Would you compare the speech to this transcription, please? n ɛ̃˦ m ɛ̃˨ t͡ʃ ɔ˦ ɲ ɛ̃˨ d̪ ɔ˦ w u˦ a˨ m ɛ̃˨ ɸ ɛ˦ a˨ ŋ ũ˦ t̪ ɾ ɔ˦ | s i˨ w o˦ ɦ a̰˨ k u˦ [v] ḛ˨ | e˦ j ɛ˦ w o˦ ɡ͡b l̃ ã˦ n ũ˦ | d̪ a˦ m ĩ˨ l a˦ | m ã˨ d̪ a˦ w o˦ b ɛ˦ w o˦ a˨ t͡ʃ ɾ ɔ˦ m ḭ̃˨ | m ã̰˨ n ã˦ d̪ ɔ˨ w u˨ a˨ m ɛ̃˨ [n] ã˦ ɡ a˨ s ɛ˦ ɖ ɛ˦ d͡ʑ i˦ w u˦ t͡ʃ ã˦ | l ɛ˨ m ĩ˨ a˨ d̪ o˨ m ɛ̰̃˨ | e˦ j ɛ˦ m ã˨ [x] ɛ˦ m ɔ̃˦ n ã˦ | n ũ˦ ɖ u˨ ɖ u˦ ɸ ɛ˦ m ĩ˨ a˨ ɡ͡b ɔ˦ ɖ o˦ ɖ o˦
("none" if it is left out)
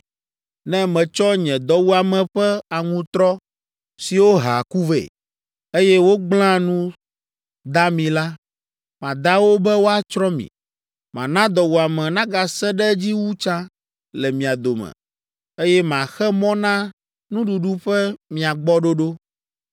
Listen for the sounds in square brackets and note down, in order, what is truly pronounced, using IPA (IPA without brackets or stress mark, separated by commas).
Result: v, n, x